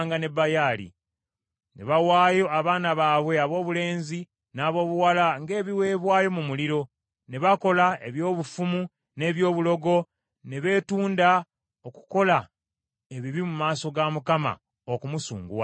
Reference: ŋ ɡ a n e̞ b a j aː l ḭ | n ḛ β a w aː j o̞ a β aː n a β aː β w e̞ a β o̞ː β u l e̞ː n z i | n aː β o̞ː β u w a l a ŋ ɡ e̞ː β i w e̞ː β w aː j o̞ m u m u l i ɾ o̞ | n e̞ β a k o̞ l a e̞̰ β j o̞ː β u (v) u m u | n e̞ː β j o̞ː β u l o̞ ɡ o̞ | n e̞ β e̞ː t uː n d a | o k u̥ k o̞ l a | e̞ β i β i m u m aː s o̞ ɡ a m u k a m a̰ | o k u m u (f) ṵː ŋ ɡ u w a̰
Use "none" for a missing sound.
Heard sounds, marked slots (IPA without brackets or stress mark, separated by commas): f, s